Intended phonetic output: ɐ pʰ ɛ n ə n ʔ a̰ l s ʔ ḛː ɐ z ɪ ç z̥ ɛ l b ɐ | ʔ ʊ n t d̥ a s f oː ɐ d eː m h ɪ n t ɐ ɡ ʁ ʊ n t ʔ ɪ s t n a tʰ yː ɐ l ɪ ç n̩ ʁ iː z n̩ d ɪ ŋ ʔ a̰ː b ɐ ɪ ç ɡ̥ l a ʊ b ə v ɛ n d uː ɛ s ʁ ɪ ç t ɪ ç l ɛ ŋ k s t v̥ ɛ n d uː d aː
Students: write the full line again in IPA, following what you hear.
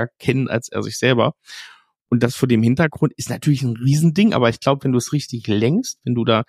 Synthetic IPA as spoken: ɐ kʰ ɛ n ə n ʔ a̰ l s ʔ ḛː ɐ z ɪ ç z̥ ɛ l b ɐ | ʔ ʊ n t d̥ a s f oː ɐ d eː m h ɪ n t ɐ ɡ ʁ ʊ n t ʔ ɪ s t n a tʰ yː ɐ l ɪ ç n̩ ʁ iː z n̩ d ɪ ŋ ʔ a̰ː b ɐ ɪ ç ɡ̥ l a ʊ b ə v ɛ n d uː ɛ s ʁ ɪ ç t ɪ ç l ɛ ŋ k s t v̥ ɛ n d uː d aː